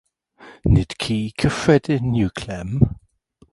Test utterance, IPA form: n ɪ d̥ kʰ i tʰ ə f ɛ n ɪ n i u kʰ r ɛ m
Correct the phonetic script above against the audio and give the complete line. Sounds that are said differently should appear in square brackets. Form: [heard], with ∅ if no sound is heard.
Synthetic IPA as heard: n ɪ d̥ kʰ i [kʰ] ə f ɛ [d] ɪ n [j] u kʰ [l] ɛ m

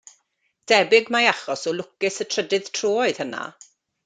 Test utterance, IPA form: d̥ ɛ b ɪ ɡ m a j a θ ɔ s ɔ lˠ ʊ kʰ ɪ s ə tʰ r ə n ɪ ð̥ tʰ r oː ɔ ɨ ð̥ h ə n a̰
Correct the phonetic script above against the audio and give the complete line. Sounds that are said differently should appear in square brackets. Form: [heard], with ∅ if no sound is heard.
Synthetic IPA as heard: d̥ ɛ b ɪ ɡ m a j a [χ] ɔ s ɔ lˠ ʊ [k] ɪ s ə tʰ r ə [d] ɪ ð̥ tʰ r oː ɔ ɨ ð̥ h ə n a̰

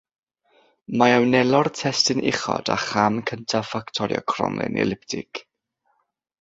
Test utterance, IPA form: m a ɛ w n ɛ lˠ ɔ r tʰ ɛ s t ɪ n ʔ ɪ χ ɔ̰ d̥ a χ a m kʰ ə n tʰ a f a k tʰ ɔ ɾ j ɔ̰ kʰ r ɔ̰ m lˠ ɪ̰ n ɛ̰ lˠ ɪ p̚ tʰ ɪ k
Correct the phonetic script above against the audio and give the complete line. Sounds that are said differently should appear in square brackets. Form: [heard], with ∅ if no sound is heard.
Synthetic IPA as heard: m a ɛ w n ɛ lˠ ɔ r tʰ ɛ s t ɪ n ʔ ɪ χ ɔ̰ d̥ a χ a m kʰ ə n tʰ a f a k tʰ ɔ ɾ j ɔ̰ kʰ r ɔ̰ m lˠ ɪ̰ n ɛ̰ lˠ ɪ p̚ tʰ ɪ k

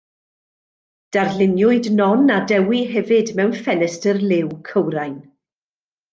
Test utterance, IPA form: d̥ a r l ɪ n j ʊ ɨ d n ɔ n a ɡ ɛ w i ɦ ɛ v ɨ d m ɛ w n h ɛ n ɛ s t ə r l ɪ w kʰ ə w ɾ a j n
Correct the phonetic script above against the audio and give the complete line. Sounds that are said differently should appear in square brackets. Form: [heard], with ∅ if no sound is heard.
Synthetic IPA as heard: d̥ a r l ɪ n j ʊ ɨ d n ɔ n a [d] ɛ w i ɦ ɛ v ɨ d m ɛ w n [f] ɛ n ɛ s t ə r l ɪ w kʰ ə w ɾ a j n

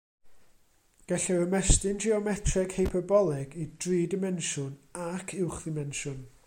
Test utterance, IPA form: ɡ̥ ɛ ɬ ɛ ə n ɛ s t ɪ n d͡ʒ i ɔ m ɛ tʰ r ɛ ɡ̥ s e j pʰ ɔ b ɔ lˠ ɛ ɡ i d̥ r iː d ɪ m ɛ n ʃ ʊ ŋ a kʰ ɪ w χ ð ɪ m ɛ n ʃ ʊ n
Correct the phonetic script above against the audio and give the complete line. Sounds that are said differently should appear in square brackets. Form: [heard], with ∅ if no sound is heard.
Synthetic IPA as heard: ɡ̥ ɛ ɬ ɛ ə [m] ɛ s t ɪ n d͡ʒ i ɔ m ɛ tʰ r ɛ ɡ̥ [h] e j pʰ ɔ b ɔ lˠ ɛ ɡ i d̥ r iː d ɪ m ɛ n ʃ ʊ [n] a kʰ ɪ w χ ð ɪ m ɛ n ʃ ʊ n

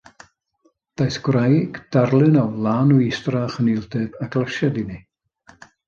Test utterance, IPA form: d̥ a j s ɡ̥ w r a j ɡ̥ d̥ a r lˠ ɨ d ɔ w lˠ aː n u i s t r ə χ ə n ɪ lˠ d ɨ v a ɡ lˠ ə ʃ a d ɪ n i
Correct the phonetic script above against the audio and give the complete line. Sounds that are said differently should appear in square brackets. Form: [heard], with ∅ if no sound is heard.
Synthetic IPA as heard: d̥ a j s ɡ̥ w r a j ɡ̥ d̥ a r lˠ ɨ [n] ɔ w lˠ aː n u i s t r [a] χ ə n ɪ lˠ d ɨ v a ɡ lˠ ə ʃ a d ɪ n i

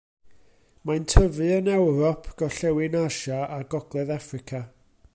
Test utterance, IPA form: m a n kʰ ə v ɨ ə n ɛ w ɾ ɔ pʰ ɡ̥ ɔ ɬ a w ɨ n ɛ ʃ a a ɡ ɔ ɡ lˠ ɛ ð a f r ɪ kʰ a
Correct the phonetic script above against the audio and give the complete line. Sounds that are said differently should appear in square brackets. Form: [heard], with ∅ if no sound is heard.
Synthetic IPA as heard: m a n [tʰ] ə v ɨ ə n ɛ w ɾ ɔ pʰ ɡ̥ ɔ ɬ [ɛ] w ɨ n [a] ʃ a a ɡ ɔ ɡ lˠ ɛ ð a f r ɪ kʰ a

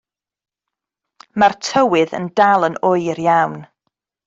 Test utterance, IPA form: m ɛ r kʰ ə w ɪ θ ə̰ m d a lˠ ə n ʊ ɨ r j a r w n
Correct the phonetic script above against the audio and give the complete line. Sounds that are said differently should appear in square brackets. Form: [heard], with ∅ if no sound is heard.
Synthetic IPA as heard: m [a] r [tʰ] ə w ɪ [ð] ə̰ [n] d a lˠ ə n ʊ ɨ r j a [∅] w n

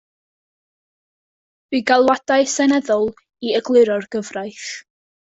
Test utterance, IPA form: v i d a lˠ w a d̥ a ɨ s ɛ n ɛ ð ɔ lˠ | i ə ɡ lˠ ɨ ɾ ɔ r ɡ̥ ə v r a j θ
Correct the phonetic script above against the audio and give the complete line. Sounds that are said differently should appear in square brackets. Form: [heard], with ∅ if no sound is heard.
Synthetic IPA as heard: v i [ɡ] a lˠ w a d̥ a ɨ s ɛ n ɛ ð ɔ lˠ | i ə ɡ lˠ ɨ ɾ ɔ r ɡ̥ ə v r a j θ

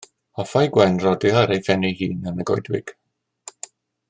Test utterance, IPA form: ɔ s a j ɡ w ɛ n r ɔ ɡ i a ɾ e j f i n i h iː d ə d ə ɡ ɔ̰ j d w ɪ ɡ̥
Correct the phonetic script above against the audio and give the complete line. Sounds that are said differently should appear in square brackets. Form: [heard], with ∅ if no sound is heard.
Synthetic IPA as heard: ɔ [f] a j ɡ w ɛ n r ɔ [d] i a ɾ e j f [ɛ] n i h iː [n] ə [n] ə ɡ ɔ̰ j d w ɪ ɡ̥

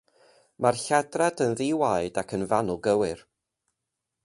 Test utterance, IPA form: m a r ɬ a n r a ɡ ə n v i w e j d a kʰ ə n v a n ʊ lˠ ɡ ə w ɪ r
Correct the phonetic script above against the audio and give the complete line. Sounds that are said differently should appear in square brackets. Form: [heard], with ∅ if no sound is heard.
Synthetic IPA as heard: m a r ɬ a [d] r a [d] ə n [ð] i w [a] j d a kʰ ə n v a n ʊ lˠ ɡ ə w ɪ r

